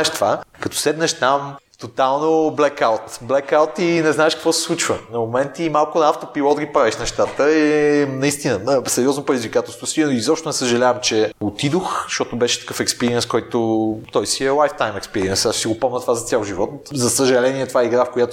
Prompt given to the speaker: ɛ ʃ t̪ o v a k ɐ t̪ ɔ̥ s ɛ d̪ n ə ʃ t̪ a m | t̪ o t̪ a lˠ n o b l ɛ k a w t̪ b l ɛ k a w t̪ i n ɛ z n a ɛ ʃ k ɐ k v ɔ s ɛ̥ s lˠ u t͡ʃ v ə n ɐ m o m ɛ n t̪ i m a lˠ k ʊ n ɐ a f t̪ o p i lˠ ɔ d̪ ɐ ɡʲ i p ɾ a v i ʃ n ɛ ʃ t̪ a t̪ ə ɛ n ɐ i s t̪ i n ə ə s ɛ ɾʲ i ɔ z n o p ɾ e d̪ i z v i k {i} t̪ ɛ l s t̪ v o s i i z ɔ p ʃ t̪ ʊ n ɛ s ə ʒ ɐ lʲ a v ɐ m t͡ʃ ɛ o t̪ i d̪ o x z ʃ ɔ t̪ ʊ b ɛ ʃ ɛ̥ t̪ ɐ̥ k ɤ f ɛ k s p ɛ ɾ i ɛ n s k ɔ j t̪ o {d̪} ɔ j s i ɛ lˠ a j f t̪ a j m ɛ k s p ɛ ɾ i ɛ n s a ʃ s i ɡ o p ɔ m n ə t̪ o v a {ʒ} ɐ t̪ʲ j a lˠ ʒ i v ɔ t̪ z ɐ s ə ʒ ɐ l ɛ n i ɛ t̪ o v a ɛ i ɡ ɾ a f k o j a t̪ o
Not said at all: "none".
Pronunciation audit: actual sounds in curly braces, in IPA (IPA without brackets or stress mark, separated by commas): a, t̪, z